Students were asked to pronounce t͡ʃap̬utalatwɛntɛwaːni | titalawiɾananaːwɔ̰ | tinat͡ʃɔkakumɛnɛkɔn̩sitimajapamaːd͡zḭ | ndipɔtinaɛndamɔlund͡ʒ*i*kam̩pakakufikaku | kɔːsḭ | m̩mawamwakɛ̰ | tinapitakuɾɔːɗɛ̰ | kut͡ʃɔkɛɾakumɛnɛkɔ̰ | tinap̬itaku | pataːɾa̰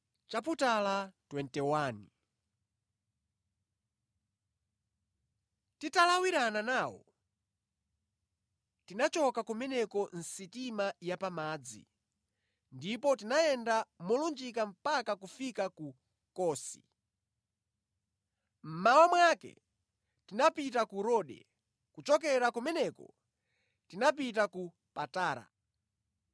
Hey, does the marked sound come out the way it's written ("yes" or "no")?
yes